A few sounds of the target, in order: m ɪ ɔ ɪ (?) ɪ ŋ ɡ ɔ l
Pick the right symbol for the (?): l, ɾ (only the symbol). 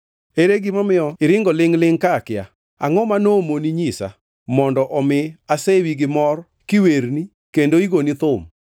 ɾ